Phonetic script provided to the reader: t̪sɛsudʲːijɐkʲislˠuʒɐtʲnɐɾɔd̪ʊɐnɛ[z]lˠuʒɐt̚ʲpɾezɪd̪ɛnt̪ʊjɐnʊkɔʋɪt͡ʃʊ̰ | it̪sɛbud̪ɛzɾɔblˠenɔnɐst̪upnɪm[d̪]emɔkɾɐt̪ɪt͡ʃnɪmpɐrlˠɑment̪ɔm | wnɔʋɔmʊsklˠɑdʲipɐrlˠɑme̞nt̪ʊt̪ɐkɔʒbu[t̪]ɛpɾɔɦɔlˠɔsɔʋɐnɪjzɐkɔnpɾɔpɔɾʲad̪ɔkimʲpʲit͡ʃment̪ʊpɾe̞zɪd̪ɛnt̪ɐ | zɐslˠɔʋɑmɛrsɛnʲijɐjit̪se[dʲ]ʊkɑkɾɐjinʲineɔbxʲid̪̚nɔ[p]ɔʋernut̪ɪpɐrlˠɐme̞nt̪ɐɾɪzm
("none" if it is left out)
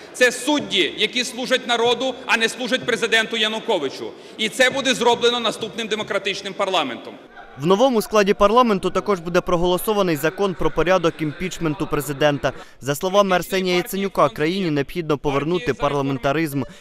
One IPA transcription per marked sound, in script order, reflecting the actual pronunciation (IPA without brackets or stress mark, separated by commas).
s, d̪, d̪, nʲ, p